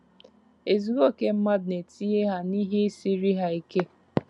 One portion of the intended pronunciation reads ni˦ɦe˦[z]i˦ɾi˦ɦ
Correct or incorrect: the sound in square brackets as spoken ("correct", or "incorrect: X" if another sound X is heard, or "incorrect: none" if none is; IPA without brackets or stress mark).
incorrect: s